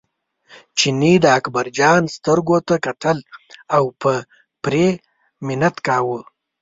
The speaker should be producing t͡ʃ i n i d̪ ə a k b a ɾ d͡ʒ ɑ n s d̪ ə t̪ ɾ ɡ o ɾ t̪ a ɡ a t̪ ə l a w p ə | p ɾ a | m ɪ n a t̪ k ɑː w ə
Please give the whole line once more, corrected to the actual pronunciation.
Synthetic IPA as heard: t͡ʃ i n i d̪ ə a k b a ɾ d͡ʒ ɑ n s t̪ ə ɾ ɡ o t̪ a k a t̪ ə l a w p ə | p ɾ e | m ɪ n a t̪ k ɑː w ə